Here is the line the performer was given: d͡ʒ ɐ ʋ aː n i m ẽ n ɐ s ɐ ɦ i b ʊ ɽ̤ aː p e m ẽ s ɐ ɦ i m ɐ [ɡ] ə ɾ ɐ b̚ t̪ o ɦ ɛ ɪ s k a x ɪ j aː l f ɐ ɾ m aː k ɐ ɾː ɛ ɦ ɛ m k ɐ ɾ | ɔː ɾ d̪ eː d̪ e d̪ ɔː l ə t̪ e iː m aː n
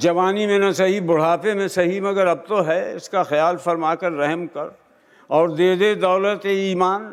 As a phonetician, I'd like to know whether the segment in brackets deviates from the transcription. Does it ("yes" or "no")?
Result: no